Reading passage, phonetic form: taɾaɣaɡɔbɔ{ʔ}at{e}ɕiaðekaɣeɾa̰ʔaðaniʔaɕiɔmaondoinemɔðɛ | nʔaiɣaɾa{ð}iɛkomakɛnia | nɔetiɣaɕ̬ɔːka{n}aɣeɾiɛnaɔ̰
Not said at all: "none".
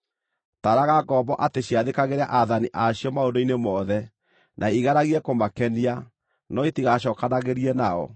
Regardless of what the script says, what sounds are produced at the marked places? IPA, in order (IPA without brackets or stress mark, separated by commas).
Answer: ʔ, e, ɣ, n